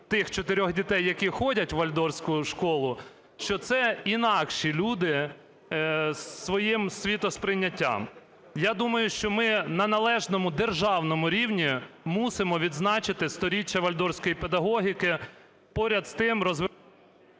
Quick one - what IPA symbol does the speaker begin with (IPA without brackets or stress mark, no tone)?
t̪